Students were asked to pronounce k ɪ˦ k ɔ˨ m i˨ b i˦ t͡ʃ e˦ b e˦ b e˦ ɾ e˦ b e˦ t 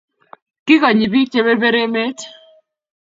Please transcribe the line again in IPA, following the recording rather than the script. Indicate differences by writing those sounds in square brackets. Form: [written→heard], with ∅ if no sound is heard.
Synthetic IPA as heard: k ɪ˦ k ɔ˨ [m→ɲ] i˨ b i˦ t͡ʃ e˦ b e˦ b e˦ ɾ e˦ [b→m] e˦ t